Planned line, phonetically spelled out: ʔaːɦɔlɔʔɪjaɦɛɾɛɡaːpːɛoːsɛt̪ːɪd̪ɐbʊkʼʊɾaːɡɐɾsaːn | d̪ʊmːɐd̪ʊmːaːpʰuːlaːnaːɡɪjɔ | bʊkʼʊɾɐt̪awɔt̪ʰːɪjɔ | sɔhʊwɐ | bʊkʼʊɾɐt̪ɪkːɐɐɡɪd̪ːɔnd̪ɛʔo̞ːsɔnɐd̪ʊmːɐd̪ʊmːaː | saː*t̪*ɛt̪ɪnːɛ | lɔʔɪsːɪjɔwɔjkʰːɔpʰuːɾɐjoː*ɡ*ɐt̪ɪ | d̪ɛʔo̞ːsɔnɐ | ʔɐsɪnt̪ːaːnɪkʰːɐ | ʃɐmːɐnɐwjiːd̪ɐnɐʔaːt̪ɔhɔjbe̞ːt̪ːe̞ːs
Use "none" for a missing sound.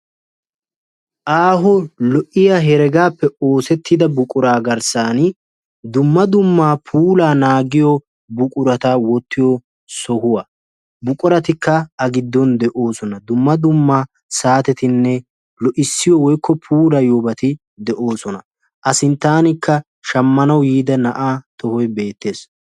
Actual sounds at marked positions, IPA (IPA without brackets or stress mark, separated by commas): t̪, b